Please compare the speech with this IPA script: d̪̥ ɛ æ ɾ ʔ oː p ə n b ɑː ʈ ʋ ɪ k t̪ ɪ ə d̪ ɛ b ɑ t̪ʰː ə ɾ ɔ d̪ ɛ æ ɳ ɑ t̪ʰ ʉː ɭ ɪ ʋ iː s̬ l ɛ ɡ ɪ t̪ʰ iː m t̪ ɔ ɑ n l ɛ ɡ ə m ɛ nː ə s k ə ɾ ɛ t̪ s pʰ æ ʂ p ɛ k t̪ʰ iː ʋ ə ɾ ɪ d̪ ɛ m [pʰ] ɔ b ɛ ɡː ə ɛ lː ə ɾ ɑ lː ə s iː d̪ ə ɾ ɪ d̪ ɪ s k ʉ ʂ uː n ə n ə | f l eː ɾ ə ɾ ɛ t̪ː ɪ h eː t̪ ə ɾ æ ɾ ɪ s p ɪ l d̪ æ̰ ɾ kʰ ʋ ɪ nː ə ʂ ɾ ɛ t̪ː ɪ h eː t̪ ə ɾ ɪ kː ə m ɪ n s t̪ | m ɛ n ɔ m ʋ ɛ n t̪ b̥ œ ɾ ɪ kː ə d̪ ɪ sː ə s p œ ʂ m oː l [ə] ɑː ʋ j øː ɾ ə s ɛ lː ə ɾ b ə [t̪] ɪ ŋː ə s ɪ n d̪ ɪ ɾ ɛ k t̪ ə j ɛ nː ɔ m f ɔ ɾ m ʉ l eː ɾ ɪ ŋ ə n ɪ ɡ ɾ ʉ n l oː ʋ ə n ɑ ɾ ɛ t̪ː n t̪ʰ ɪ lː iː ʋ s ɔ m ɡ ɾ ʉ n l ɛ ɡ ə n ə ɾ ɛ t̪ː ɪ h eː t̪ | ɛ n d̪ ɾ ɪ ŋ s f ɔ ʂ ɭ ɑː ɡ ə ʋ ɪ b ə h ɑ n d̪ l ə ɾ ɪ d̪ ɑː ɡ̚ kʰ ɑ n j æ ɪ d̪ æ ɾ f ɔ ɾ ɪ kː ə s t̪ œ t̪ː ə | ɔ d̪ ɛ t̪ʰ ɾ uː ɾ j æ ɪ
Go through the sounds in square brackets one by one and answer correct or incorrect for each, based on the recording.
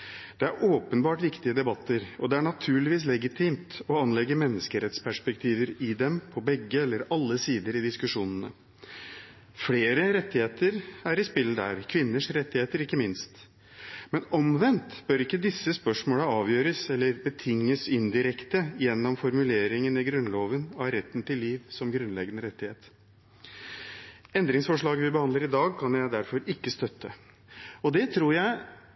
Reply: correct, correct, incorrect: t̪ʰ

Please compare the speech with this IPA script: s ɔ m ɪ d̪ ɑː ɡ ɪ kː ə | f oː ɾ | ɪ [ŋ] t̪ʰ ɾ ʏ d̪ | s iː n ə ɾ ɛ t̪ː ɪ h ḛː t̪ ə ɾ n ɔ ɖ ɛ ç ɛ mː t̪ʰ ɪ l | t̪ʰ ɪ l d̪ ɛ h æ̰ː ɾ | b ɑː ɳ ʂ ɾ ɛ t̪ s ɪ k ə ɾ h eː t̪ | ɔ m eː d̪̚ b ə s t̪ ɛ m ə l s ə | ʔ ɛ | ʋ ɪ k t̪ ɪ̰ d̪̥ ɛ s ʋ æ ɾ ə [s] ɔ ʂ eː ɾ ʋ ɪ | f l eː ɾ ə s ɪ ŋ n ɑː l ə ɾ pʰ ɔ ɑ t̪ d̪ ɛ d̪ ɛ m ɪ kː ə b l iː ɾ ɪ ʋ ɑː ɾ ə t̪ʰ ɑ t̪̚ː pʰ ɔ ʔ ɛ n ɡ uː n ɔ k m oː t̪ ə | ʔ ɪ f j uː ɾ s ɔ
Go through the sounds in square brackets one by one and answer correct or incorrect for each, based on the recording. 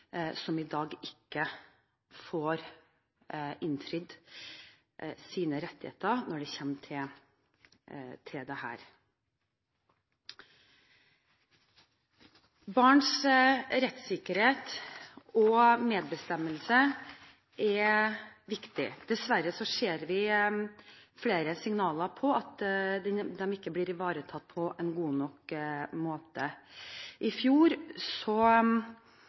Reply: incorrect: n, correct

